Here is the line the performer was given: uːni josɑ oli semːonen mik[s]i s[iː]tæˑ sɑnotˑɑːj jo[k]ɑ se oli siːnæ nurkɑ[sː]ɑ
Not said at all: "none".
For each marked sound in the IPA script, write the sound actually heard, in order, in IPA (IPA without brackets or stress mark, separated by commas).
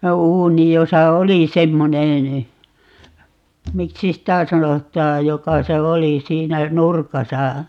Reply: s, i, k, s